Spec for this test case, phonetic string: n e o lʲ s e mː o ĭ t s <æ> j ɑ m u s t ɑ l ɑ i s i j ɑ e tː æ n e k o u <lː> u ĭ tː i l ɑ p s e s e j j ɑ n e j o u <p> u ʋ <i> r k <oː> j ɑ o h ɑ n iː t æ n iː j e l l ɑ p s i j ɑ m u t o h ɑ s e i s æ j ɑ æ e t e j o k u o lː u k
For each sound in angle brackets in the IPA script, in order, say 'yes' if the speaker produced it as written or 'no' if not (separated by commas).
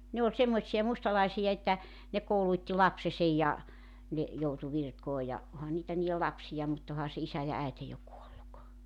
no, no, no, yes, yes